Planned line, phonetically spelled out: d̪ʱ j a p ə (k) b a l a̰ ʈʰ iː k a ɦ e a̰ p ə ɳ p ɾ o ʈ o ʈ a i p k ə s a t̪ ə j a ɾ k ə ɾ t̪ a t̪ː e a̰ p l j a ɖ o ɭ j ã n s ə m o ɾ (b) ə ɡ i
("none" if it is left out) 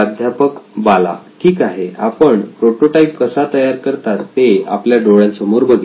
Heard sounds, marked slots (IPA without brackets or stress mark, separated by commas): k, b